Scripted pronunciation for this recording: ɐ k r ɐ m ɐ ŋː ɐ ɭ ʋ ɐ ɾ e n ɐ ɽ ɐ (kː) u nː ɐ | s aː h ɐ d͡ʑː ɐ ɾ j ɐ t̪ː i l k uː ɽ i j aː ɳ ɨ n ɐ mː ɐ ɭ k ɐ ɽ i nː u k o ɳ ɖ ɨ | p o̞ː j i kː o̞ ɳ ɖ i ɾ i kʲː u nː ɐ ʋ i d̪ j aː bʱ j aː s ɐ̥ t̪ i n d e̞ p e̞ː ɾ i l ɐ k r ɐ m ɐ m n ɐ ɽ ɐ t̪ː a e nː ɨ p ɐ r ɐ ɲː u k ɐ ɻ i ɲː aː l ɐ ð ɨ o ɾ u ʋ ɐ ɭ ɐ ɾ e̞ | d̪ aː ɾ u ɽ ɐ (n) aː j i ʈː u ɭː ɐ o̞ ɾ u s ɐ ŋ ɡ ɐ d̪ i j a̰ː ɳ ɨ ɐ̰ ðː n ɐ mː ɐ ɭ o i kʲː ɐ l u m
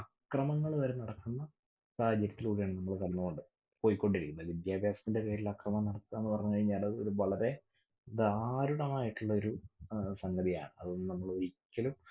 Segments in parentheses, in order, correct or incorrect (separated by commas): correct, incorrect